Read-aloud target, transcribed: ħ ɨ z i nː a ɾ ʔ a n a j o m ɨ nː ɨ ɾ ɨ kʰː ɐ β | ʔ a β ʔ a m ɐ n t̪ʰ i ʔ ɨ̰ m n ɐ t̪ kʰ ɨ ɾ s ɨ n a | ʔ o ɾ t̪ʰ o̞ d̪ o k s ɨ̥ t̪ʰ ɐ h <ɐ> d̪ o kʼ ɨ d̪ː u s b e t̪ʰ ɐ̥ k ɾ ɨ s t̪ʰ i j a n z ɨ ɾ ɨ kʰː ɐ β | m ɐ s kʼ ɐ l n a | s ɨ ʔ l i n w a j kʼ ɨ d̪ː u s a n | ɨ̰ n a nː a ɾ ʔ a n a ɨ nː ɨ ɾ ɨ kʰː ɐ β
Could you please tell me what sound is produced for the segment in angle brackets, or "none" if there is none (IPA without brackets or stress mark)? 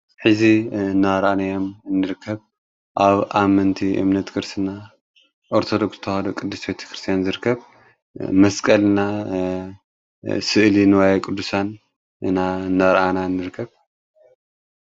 a